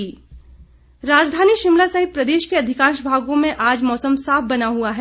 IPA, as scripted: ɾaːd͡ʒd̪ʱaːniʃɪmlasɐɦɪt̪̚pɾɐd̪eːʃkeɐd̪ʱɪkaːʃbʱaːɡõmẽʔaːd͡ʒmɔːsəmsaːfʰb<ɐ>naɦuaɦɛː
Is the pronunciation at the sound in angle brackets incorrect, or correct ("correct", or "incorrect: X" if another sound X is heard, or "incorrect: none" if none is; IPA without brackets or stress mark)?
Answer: correct